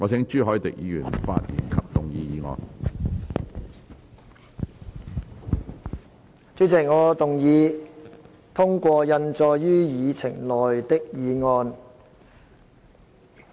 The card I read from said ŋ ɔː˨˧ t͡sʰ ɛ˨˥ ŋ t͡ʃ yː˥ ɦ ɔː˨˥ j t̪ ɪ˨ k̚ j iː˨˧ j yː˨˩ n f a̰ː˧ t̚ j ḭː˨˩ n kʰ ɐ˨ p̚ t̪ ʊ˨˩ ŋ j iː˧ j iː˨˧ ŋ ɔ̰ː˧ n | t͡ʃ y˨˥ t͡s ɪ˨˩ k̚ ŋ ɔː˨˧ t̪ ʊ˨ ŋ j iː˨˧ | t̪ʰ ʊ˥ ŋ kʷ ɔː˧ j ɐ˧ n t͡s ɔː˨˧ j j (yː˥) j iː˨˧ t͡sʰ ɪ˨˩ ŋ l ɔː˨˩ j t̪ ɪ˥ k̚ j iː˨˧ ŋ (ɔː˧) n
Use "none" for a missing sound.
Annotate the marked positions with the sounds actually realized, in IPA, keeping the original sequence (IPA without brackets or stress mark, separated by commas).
yː˥, ɔː˧